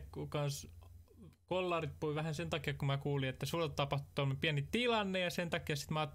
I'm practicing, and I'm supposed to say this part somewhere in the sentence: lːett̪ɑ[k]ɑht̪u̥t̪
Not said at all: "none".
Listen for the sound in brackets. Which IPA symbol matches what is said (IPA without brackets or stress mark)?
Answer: p